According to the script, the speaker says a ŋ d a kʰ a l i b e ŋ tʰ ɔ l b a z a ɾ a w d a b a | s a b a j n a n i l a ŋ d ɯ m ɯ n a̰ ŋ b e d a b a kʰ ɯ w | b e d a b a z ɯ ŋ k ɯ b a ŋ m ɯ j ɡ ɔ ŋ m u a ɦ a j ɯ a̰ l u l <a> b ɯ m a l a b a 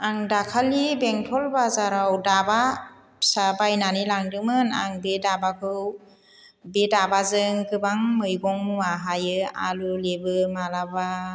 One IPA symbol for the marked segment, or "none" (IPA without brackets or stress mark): e